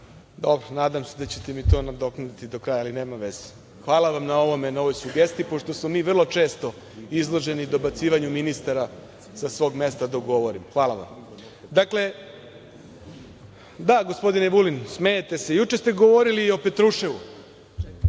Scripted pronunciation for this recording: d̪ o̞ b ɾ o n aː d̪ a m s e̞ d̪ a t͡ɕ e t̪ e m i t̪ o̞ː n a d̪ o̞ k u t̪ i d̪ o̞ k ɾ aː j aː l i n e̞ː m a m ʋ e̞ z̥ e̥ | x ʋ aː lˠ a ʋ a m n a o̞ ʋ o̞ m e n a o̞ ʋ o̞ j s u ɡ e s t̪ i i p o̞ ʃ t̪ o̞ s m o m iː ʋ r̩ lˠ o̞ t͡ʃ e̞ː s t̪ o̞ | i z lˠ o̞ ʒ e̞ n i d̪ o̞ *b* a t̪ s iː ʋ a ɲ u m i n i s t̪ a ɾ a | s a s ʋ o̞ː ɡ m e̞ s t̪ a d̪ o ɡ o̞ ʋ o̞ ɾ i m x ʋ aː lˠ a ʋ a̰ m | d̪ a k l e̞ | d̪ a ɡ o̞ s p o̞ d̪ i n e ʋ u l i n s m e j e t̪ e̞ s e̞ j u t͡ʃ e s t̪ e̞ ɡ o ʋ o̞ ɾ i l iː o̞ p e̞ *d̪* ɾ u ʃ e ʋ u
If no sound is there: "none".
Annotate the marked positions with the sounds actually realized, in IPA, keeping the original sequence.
b, t̪

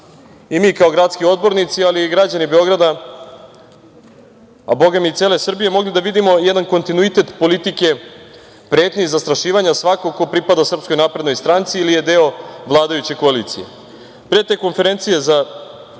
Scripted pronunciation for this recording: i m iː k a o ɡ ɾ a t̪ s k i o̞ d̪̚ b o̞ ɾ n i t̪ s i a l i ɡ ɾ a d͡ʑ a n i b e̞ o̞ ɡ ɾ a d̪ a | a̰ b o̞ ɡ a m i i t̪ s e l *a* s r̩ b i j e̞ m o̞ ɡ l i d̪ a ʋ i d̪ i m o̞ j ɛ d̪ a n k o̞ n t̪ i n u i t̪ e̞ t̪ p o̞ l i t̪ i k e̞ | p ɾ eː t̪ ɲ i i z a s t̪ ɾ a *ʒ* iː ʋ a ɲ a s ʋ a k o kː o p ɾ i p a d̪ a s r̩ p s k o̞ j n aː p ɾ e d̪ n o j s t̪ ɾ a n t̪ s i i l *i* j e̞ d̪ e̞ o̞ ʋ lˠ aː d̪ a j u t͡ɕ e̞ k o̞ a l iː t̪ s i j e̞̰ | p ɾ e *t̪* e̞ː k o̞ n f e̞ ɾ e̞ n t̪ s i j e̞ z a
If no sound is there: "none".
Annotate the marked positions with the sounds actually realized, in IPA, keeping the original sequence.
e, ʃ, i, t̪

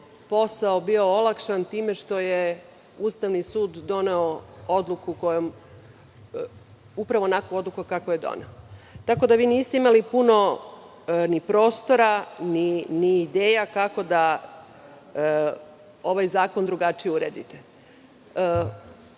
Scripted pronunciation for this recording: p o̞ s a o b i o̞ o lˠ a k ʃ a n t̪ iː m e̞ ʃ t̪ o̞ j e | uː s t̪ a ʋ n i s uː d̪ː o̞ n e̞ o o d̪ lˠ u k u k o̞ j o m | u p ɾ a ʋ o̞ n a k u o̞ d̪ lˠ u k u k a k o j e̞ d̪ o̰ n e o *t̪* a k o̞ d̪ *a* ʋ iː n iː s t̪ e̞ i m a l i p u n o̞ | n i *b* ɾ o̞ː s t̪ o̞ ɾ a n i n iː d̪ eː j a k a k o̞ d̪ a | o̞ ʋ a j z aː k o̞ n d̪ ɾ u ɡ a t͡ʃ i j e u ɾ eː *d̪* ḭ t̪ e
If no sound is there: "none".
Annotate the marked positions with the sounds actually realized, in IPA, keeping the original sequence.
t̪, a, p, d̪

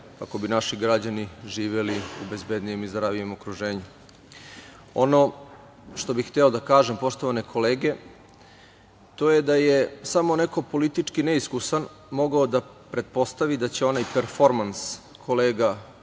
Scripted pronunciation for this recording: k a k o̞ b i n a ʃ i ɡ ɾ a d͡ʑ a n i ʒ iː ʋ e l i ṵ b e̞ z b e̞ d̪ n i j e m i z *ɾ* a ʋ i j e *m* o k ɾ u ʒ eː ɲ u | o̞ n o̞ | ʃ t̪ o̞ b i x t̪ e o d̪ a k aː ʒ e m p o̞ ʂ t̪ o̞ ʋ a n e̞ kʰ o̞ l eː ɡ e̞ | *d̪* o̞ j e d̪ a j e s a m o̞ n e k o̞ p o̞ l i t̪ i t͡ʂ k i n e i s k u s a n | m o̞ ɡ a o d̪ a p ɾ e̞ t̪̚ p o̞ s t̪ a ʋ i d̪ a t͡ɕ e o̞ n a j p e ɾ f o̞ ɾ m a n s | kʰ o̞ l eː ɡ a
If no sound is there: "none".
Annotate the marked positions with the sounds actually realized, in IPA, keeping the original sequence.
ɾ, m, t̪

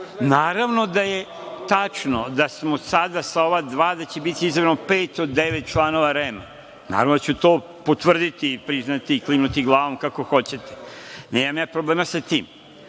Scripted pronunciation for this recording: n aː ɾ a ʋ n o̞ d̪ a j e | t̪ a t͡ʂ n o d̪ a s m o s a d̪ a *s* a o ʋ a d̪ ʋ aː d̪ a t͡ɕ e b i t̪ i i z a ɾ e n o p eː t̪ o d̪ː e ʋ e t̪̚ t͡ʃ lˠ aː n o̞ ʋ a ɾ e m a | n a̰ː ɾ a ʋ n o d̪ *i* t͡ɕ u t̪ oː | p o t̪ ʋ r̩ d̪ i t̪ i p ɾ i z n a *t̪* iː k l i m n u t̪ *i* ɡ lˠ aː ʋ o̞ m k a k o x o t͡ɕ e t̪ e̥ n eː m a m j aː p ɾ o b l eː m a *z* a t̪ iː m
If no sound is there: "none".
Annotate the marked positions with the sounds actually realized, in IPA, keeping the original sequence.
s, a, t̪, i, s

